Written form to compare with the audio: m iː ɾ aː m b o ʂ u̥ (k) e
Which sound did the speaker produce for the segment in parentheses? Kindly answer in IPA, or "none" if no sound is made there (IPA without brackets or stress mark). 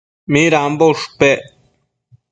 p